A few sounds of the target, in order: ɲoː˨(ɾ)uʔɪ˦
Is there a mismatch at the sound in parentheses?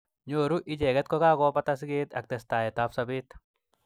no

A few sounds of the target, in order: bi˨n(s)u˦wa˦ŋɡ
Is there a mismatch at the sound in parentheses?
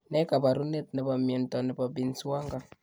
no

